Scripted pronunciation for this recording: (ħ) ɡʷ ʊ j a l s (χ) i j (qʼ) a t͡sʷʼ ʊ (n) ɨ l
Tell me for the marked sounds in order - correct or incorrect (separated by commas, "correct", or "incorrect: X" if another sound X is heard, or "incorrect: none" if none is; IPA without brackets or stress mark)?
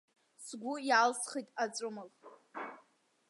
incorrect: s, correct, incorrect: tʼ, incorrect: m